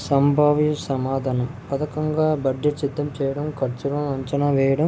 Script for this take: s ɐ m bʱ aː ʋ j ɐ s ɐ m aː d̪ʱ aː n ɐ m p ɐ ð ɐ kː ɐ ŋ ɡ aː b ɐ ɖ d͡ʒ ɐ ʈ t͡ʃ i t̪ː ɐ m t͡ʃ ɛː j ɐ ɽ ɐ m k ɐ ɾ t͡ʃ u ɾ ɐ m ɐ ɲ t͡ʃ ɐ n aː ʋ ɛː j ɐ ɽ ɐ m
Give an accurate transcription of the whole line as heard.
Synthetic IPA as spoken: s ɐ m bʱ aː ʋ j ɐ s ɐ m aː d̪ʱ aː n ɐ m p ɐ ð ɐ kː ɐ ŋ ɡ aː b ɐ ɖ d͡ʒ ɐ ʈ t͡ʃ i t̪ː ɐ m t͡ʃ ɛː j ɐ ɽ ɐ m k ɐ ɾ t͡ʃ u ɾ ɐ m ɐ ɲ t͡ʃ ɐ n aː ʋ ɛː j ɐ ɽ ɐ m